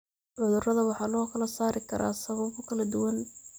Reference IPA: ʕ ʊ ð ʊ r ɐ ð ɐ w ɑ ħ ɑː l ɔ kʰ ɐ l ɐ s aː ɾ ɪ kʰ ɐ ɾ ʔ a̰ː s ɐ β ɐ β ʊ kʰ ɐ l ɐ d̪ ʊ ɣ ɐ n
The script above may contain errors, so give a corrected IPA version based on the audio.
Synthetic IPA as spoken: ʕ ʊ ð ʊ r ɐ ð ɐ w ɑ ħ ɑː l ɔː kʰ ɐ l ɐ s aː ɾ ɪ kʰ ɐ ɾ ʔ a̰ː s ɐ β ɐ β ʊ kʰ ɐ l ɐ d̪ ʊ w ɐ n